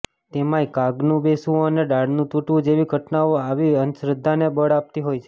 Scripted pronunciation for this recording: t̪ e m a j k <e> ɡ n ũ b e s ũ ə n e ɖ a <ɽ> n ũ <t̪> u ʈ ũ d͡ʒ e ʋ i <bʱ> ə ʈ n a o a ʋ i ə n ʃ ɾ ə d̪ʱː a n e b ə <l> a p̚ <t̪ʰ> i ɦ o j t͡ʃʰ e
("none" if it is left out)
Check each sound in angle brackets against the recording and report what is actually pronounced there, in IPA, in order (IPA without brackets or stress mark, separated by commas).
a, ɽ, t̪, ɡʱ, ɽ, t̪